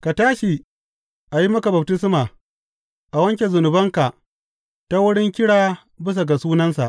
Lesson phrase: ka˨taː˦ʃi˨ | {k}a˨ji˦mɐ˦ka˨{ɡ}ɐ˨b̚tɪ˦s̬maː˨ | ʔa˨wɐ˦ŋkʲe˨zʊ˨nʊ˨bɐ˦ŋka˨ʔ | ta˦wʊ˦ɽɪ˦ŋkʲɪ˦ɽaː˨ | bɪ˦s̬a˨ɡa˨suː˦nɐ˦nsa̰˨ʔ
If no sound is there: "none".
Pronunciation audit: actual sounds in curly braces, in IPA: ʔ, b

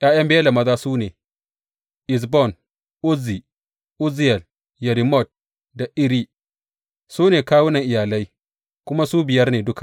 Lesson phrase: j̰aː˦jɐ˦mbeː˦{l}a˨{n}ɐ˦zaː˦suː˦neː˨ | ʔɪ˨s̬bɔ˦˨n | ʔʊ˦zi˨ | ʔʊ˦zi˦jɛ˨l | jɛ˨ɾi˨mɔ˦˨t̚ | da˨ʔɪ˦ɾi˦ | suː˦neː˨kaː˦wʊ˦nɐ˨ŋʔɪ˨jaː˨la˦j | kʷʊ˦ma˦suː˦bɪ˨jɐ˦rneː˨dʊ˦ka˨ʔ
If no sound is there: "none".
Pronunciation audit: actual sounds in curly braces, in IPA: l, m

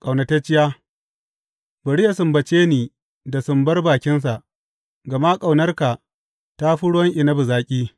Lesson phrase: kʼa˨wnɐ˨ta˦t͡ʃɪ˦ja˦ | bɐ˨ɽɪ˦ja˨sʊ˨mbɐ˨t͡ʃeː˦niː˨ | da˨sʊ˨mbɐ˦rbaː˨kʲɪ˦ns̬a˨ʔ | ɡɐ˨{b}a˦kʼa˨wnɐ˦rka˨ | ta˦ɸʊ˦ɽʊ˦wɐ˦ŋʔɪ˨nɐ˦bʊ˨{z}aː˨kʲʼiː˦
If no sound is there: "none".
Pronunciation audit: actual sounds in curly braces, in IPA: m, z

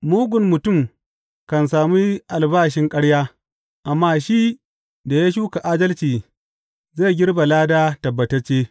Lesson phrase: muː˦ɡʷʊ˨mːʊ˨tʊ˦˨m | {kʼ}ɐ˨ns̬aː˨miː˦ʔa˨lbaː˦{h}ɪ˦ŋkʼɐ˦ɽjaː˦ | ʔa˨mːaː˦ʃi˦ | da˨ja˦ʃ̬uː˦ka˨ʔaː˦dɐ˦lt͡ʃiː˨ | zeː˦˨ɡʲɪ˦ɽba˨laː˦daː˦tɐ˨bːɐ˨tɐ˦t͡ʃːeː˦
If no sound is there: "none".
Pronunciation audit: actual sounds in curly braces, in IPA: k, ʃ

